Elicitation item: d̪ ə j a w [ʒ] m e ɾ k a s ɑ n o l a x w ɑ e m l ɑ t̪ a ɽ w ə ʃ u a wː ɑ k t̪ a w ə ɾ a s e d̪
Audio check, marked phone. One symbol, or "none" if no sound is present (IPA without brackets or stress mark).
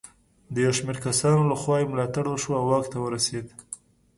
ʃ